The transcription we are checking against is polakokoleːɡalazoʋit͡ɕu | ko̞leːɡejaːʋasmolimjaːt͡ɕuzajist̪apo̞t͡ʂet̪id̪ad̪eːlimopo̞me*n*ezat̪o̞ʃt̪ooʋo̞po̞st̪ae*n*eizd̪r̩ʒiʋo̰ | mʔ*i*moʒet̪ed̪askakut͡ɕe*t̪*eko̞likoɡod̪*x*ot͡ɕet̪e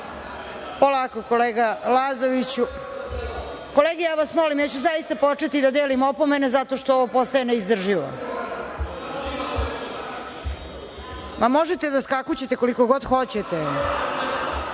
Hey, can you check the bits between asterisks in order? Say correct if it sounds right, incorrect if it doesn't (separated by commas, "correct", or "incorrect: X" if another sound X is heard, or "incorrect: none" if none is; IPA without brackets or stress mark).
correct, correct, incorrect: a, correct, correct